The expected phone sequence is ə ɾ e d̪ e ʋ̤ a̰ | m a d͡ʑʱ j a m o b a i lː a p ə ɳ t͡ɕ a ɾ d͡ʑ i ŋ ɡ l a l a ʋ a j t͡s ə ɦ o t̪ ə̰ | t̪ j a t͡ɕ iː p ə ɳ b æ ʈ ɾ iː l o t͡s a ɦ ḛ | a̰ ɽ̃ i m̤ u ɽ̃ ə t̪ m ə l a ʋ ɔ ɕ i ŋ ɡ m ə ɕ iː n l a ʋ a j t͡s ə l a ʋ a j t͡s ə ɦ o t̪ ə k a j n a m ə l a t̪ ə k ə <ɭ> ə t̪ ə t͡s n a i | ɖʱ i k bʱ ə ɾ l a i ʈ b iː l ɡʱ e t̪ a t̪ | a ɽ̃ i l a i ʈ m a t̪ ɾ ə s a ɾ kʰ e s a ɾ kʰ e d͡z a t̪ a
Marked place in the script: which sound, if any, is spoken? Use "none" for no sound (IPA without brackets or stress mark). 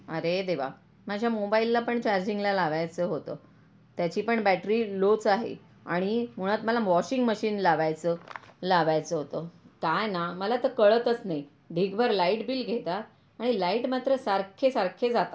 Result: ɭ